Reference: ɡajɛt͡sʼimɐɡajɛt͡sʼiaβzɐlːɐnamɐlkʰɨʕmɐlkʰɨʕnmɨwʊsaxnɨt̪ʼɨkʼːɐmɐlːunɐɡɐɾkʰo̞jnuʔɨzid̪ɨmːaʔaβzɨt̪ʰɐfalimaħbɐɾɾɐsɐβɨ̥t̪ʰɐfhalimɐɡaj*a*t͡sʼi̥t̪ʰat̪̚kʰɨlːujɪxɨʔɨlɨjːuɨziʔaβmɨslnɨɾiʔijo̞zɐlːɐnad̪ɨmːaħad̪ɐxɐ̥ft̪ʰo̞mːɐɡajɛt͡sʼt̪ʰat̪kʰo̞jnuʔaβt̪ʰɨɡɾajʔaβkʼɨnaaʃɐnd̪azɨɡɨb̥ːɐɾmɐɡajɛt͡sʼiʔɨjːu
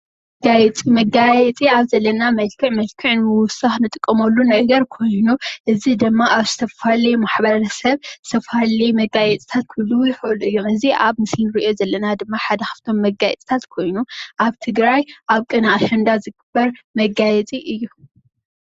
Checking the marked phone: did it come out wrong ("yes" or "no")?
yes